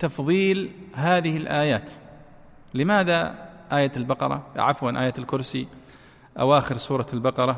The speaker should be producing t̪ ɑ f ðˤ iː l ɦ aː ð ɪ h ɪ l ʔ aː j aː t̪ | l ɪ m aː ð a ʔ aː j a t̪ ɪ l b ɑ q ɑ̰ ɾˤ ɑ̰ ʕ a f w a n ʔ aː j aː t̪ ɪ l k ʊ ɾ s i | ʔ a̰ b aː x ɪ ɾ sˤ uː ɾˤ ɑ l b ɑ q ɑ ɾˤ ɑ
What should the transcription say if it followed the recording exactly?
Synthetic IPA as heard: t̪ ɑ f ðˤ iː l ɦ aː ð ɪ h ɪ l ʔ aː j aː t̪ | l ɪ m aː ð a ʔ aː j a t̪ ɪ l b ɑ q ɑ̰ ɾˤ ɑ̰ ʕ a f w a n ʔ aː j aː t̪ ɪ l k ʊ ɾ s i | ʔ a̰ w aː x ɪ ɾ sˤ uː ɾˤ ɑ l b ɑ q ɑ ɾˤ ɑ